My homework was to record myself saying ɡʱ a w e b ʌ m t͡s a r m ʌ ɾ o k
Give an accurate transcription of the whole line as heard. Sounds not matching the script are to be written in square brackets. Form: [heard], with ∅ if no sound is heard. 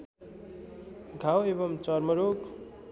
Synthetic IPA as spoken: ɡʱ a w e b ʌ m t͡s [ʌ] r m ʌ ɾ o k